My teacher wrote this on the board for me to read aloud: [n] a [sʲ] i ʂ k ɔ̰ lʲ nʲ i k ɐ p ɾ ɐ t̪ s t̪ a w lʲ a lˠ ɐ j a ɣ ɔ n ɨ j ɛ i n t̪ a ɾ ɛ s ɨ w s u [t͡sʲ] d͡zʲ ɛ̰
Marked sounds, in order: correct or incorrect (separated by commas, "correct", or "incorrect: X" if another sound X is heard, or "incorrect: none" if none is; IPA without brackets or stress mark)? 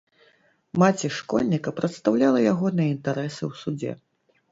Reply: incorrect: m, incorrect: t͡sʲ, incorrect: none